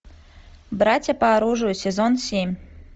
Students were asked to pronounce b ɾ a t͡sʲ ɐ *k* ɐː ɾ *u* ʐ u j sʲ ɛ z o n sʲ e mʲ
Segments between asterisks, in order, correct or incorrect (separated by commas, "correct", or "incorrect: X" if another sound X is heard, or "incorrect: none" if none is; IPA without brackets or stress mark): incorrect: p, correct